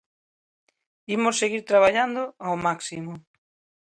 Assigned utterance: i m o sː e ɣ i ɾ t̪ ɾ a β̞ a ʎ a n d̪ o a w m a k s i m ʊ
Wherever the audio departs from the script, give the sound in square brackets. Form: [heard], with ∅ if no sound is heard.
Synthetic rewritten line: i m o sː e ɣ i ɾ t̪ ɾ a β̞ a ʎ a n d̪ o a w m a k s i m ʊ